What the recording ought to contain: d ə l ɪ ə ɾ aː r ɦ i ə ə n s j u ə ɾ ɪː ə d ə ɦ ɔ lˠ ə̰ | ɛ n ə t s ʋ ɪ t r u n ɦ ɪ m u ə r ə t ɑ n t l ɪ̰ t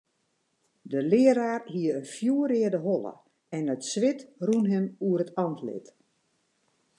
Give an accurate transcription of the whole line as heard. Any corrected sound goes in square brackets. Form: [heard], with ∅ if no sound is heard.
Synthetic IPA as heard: d ə l ɪ ə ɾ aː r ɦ i ə ə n [f] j u ə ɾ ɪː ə d ə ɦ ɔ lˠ ə̰ | ɛ n ə t s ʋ ɪ t r u n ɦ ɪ m u ə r ə t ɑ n t l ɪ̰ t